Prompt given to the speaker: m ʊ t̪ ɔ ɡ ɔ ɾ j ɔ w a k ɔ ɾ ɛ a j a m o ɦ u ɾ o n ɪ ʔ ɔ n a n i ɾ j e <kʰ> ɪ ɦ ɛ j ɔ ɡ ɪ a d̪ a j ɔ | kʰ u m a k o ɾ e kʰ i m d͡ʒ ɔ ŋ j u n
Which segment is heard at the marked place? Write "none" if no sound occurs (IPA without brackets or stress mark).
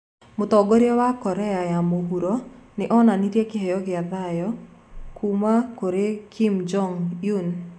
k